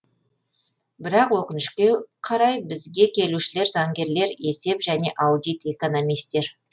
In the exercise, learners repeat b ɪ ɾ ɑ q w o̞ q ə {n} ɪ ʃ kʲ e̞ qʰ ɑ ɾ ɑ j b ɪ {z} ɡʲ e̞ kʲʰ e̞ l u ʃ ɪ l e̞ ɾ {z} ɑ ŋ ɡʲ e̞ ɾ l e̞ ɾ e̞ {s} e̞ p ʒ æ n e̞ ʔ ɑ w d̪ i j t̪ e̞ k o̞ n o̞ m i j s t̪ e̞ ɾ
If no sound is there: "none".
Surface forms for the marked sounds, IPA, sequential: n, z, z, s

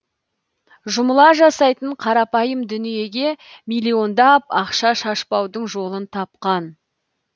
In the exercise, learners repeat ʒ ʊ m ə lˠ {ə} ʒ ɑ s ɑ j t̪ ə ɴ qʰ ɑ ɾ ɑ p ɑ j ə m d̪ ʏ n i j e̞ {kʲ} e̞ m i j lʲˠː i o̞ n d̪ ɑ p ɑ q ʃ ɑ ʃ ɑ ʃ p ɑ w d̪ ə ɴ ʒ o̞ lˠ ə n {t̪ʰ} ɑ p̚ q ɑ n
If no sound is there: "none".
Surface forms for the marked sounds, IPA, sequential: ɑ, ɡʲ, t̪ʰ

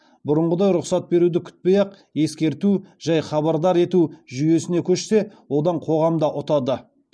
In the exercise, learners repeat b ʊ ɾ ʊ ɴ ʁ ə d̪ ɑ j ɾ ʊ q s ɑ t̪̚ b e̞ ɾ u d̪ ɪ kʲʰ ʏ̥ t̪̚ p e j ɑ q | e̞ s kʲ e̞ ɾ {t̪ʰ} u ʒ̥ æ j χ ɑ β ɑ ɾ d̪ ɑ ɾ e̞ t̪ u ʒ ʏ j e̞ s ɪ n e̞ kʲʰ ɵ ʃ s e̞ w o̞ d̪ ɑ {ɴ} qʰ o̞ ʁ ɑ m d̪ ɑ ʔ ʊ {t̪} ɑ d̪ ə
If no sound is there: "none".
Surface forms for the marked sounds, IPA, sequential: t̪, ɴ, t̪

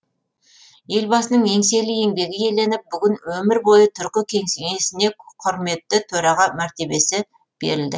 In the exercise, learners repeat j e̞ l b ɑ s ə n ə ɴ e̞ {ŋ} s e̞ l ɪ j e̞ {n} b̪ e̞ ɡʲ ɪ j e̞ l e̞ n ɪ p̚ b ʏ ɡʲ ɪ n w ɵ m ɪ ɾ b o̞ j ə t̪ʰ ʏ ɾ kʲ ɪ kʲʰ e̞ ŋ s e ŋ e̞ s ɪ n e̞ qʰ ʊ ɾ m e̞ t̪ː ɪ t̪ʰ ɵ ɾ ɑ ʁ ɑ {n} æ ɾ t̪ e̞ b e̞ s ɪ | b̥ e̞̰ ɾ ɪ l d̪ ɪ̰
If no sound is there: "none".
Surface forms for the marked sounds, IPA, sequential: ŋ, ŋ, m

